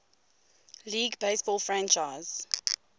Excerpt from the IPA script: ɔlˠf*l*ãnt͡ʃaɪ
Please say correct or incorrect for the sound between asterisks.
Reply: incorrect